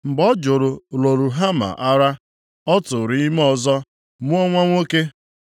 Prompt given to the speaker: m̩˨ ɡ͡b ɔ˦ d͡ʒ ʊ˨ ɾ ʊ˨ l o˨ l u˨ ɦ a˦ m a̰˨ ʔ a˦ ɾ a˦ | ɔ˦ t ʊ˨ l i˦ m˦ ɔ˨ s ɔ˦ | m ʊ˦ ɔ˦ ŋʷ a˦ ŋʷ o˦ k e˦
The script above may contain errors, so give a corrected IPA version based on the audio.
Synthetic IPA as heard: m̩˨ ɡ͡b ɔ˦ d͡ʒ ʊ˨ ɾ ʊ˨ l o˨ ɾ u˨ ɦ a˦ m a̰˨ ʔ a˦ ɾ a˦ | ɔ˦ t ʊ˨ ɾ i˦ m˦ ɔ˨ z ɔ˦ | m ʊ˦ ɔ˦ ŋʷ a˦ ŋʷ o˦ k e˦